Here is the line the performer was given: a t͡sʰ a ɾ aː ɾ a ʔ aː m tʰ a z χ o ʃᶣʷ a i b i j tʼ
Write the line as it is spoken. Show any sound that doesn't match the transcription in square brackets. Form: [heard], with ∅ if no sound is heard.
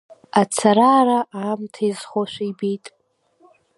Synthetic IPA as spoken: a t͡sʰ a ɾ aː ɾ a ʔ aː m tʰ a z χ o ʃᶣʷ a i b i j tʼ